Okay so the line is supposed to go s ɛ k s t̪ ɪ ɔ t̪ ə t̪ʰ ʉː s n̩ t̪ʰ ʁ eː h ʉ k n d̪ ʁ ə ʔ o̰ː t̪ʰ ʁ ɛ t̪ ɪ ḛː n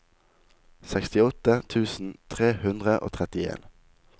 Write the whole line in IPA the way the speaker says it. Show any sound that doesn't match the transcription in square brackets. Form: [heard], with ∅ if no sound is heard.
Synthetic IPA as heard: s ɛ k s t̪ ɪ ɔ t̪ ə t̪ʰ ʉː s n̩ t̪ʰ ʁ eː h ʉ [∅] n d̪ ʁ ə ʔ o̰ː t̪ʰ ʁ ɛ t̪ ɪ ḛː n